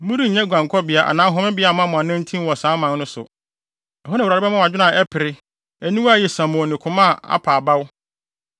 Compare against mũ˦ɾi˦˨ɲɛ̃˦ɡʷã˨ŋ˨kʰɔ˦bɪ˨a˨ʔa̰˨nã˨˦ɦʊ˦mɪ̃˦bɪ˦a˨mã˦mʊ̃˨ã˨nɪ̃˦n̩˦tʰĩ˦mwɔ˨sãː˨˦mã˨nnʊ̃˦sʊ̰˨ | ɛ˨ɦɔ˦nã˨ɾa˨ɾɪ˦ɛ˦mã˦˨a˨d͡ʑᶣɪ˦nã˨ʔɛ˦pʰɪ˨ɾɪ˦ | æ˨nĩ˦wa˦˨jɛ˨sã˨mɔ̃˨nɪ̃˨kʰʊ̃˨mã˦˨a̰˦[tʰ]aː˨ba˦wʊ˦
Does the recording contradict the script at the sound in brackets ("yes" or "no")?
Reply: yes